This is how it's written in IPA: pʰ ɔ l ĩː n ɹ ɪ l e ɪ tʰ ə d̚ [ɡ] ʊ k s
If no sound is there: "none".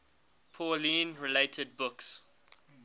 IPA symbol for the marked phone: b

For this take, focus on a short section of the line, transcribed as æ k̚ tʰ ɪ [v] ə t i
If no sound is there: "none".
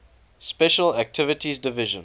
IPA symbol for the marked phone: v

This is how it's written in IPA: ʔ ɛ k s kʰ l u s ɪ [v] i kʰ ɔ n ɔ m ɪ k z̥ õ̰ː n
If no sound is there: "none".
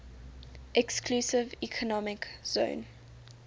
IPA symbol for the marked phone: v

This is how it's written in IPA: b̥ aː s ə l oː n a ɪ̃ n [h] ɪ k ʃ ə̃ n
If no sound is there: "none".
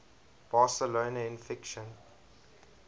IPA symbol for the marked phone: f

